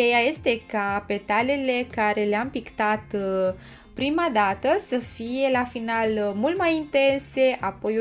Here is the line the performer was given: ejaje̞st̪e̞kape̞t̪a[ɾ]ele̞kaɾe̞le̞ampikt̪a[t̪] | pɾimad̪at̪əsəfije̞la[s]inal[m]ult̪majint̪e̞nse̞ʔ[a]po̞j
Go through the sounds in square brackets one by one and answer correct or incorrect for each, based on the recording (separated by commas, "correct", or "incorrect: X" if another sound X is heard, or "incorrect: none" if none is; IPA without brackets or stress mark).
incorrect: l, correct, incorrect: f, correct, correct